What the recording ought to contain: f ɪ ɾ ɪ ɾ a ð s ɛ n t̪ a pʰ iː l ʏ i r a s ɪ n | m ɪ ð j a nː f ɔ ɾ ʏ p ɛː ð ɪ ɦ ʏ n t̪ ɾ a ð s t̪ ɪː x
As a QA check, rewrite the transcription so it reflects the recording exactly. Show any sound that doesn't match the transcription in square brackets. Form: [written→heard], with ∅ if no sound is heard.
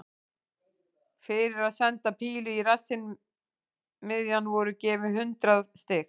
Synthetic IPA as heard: f ɪ ɾ ɪ ɾ a ð s ɛ n t̪ a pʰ iː l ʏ i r a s ɪ n | m ɪ ð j a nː [f→v] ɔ ɾ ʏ [p→c] ɛː [ð→v] ɪ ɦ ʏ n t̪ ɾ a ð s t̪ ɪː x